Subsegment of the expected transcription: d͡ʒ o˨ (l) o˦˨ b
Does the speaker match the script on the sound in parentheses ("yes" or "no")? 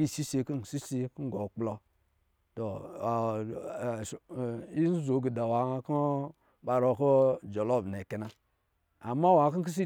yes